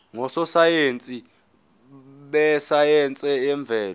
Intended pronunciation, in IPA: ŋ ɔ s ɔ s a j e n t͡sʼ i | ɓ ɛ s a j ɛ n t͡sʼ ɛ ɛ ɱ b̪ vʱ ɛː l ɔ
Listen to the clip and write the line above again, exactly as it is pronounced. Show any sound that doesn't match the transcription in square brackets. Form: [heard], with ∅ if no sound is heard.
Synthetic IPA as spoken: ŋ ɔ s ɔ s a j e n t͡sʼ i | ɓ ɛ s a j ɛ n t͡sʼ ɛ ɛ ɱ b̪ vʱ ɛː l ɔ